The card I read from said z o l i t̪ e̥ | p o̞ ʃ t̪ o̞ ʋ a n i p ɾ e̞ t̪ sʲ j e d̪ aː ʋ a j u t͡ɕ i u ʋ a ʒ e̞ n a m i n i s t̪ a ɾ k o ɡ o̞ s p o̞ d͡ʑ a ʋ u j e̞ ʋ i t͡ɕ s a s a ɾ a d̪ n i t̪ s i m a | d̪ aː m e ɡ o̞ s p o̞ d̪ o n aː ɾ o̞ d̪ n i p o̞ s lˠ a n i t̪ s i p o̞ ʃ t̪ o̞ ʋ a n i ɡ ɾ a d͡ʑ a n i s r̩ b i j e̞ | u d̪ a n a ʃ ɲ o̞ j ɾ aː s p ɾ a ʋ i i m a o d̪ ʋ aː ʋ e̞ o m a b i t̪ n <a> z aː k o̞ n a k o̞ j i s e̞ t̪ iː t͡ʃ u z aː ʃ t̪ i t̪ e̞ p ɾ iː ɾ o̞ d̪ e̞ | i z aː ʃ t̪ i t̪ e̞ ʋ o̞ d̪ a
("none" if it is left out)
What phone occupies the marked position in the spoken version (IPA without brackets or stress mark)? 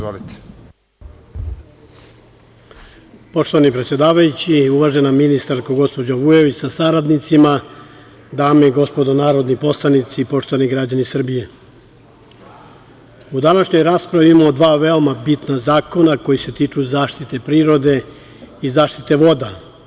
a